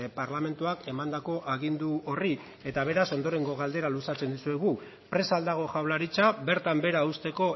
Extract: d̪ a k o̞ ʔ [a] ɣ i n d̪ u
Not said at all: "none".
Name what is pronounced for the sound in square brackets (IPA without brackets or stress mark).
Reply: a